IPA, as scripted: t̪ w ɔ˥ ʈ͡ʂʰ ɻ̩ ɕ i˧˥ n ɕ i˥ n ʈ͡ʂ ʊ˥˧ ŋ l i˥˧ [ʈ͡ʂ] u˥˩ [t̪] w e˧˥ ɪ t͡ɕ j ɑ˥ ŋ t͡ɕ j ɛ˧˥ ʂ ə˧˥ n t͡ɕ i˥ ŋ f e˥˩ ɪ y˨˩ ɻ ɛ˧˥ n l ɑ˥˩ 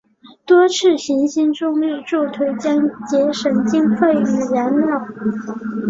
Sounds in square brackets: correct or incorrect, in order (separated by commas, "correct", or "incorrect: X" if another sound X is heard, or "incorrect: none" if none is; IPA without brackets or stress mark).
correct, incorrect: t̪ʰ